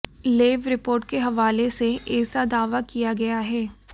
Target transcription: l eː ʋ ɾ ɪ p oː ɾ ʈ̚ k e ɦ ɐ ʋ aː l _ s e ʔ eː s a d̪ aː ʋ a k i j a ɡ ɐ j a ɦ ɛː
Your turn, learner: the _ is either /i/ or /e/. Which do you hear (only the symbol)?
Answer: e